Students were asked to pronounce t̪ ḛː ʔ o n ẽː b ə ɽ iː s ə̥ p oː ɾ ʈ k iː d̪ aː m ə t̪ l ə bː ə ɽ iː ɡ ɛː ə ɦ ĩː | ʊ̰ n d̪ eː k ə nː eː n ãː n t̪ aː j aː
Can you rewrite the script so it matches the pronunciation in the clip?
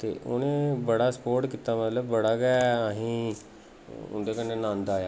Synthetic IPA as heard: t̪ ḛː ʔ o n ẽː b ə ɽ aː s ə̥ p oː ɾ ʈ k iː t̪ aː m ə t̪ l ə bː ə ɽ aː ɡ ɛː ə ɦ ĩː | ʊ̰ n d̪ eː k ə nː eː n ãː n d̪ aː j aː